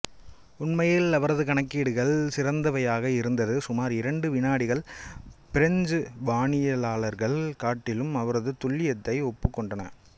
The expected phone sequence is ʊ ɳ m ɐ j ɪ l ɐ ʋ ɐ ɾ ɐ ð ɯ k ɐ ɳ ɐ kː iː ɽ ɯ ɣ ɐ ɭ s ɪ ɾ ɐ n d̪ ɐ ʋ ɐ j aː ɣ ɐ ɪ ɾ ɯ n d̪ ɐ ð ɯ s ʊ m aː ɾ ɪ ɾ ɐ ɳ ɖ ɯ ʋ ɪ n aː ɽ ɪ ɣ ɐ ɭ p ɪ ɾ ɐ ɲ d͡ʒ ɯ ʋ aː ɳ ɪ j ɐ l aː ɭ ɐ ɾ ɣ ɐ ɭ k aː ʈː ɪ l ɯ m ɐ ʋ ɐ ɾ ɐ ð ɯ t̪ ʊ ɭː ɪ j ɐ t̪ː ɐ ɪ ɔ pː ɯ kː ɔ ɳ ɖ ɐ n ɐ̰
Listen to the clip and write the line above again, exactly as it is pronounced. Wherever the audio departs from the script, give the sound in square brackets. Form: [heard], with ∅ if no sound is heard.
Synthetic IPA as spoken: ʊ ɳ m ɐ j ɪ l ɐ ʋ ɐ ɾ ɐ ð ɯ k ɐ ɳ ɐ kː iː ɽ ɯ ɣ ɐ ɭ s ɪ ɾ ɐ n d̪ ɐ ʋ ɐ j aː ɣ ɐ ɪ ɾ ɯ n d̪ ɐ ð ɯ s ʊ m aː ɾ ɪ ɾ ɐ ɳ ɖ ɯ ʋ ɪ n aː ɽ ɪ ɣ ɐ ɭ p ɪ ɾ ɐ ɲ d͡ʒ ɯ ʋ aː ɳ ɪ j ɐ l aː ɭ ɐ ɾ ɣ ɐ ɭ k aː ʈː ɪ l ɯ m ɐ ʋ ɐ ɾ ɐ ð ɯ t̪ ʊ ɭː ɪ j ɐ t̪ː ɐ ɪ ɔ pː ɯ kː ɔ ɳ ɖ ɐ n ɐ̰